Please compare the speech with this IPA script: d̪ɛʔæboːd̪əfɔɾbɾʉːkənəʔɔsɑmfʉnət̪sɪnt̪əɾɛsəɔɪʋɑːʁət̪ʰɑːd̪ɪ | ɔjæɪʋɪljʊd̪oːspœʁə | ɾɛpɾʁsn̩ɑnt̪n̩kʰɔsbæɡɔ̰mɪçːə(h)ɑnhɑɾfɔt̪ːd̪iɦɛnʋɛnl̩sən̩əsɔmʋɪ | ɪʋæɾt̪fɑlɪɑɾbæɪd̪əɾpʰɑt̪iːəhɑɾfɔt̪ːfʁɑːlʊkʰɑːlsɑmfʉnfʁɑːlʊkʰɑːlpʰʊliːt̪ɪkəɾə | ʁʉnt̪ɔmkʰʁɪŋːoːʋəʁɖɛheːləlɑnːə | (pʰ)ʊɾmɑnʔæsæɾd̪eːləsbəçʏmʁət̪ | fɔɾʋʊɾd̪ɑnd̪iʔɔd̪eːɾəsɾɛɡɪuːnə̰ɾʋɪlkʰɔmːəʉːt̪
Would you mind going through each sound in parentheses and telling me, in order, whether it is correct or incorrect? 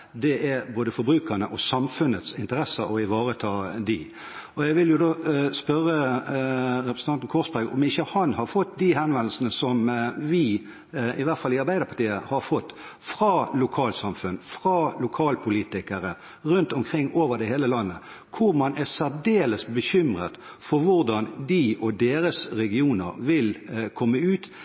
correct, incorrect

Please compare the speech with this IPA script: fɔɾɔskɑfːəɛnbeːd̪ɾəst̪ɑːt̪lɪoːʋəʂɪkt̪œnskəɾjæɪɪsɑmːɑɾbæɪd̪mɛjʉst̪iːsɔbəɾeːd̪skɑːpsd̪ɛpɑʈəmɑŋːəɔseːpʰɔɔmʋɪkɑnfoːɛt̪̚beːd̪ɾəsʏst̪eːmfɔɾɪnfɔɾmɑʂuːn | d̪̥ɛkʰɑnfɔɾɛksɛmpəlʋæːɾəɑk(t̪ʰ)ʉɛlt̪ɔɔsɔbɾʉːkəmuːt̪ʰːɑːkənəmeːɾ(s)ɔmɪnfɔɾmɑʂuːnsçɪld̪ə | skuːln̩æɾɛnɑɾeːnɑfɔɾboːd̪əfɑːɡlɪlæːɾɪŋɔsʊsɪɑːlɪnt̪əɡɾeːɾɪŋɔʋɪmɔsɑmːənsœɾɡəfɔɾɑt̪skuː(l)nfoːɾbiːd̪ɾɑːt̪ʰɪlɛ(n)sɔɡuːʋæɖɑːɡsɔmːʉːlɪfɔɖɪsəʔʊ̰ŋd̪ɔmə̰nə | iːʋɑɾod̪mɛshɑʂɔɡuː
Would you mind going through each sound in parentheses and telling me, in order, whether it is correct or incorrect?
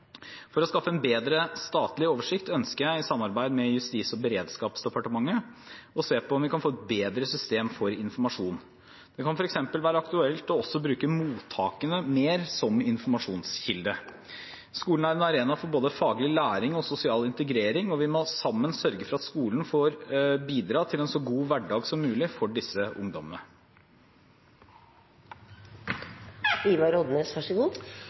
incorrect, correct, correct, correct

